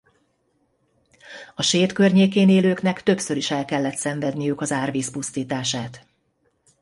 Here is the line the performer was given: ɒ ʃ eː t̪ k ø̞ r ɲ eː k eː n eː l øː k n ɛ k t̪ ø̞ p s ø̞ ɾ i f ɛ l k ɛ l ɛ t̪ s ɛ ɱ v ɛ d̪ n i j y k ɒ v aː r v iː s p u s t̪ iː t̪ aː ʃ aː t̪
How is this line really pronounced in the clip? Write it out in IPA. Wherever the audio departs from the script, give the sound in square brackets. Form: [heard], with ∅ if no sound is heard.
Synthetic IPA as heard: ɒ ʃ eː t̪ k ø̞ r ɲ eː k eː n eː l øː k n ɛ k t̪ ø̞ p s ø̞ ɾ i [ʃ] ɛ l k ɛ [lː] ɛ t̪ s ɛ ɱ v ɛ d̪ n i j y k ɒ [z] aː r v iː s p u s t̪ iː t̪ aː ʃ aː t̪